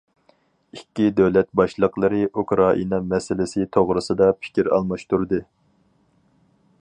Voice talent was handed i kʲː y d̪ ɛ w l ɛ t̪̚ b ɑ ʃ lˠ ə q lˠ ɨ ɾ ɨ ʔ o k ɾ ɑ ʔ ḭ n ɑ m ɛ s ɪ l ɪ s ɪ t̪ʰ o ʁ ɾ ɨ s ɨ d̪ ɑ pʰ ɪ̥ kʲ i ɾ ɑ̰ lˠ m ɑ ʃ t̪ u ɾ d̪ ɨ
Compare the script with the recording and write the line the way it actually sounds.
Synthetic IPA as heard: i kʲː i d̪ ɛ w l ɛ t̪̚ b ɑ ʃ lˠ ə q lˠ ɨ ɾ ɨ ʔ u k ɾ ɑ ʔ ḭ n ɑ m ɛ s ɪ l ɪ s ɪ t̪ʰ o ʁ ɾ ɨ s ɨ d̪ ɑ pʰ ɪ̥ kʲ i ɾ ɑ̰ lˠ m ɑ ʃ t̪ u ɾ d̪ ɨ